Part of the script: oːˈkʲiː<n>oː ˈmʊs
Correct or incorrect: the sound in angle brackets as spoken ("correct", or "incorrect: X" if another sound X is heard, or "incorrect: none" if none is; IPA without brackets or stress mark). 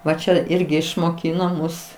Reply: correct